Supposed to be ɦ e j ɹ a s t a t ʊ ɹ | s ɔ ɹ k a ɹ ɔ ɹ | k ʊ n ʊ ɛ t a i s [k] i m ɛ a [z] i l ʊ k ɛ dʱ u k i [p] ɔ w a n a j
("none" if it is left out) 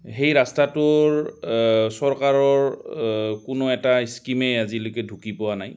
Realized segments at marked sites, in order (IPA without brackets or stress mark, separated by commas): k, z, p